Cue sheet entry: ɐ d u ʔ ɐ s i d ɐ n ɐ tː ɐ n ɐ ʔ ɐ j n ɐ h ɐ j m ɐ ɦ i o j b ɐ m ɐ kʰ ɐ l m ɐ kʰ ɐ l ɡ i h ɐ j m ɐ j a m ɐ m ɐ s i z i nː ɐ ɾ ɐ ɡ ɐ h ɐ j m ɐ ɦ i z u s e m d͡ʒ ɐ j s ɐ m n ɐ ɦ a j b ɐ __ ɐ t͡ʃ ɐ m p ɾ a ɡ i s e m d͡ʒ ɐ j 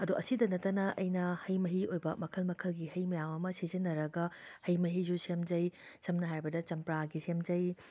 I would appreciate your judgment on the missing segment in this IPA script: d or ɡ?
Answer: d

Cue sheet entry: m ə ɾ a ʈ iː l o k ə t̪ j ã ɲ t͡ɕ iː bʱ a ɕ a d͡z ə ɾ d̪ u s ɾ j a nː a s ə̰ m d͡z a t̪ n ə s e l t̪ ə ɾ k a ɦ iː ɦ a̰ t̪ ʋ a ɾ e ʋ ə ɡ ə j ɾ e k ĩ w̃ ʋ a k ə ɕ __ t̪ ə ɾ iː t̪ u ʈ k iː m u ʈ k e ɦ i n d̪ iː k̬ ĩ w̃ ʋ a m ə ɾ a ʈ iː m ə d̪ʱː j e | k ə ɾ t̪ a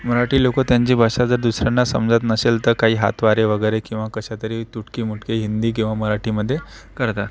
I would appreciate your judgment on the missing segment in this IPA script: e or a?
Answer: a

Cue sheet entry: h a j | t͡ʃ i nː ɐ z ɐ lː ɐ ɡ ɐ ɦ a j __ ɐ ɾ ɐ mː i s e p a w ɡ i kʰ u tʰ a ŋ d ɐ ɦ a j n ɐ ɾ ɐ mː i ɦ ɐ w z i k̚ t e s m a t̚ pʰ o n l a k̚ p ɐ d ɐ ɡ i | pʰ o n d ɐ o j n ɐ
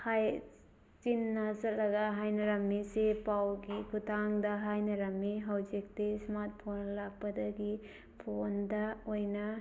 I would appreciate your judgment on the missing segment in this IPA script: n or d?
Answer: n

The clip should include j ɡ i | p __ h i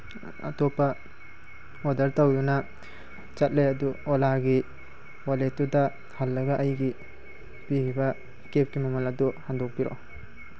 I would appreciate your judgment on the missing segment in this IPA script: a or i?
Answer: i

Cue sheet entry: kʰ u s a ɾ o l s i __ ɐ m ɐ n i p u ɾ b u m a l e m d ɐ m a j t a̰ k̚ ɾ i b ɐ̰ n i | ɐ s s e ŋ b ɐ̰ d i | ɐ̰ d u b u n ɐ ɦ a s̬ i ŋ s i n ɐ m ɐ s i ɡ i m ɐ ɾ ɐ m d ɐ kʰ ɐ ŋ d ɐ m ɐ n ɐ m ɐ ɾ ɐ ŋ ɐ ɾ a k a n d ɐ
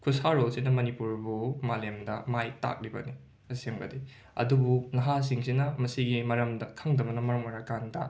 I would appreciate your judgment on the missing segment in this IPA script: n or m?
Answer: n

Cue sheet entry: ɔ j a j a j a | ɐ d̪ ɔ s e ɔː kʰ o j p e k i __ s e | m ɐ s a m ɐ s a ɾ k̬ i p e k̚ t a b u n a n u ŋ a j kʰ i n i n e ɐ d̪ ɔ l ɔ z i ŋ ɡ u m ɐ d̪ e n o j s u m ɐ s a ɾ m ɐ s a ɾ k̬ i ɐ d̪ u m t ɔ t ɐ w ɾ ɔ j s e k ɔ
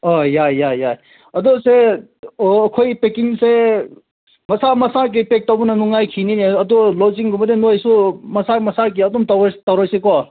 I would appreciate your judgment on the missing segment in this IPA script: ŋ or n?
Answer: ŋ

